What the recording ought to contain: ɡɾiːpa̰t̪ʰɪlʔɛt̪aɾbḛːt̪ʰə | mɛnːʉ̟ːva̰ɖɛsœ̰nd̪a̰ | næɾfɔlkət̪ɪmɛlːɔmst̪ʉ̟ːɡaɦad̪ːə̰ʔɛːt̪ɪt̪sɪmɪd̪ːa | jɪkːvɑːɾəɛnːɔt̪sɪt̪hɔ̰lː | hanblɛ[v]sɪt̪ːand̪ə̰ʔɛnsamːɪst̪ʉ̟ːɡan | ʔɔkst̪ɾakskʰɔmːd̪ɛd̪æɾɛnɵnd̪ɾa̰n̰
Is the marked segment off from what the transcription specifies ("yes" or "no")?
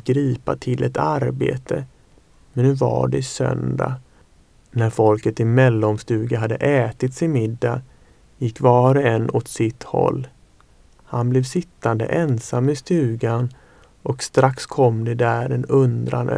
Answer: no